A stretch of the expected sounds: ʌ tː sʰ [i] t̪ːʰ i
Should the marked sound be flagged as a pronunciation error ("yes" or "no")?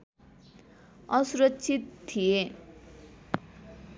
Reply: no